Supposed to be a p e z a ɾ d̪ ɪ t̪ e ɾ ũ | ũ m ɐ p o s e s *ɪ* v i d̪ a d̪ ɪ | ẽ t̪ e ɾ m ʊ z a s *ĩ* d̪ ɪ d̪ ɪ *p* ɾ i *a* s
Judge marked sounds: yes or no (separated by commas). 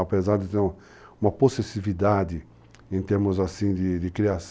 no, yes, no, yes